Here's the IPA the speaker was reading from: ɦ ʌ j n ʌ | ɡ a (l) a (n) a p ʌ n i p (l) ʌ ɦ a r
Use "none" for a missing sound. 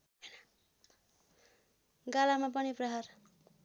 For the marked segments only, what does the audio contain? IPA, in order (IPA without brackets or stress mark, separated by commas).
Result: l, m, r